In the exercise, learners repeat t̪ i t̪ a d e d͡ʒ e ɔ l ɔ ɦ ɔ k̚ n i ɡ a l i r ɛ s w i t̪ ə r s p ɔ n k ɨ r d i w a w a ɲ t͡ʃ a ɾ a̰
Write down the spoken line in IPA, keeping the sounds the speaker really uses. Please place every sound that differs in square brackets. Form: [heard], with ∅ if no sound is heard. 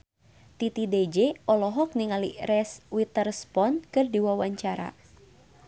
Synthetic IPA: t̪ i t̪ [i] d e d͡ʒ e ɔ l ɔ ɦ ɔ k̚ n i [ŋ] a l i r ɛ s w i t̪ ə r s p ɔ n k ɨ r d i w a w a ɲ t͡ʃ a ɾ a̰